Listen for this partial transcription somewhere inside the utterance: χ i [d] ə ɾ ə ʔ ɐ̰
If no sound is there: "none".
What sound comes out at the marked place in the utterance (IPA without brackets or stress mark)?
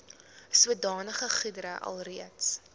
d